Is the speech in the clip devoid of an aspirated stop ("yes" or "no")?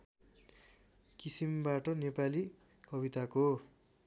yes